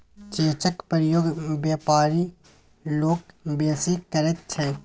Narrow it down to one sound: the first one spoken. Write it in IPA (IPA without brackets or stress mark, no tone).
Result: t͡ʃ